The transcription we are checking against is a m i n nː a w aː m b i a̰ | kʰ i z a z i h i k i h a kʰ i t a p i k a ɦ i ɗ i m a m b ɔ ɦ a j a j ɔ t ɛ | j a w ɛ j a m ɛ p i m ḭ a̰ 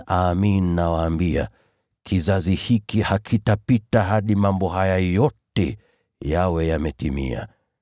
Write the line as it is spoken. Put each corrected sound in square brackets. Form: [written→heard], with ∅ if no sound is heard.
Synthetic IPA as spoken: a m i n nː a w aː m b i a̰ | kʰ i z a z i h i k i h a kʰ i t a p i [k→t] a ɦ [i→a] ɗ i m a m b ɔ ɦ a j a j ɔ t ɛ | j a w ɛ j a m ɛ [p→t] i m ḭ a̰